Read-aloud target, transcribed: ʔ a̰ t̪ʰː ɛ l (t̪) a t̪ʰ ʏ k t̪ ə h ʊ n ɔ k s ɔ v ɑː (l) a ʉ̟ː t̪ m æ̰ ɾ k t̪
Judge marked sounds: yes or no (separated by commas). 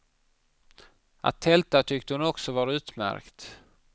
yes, no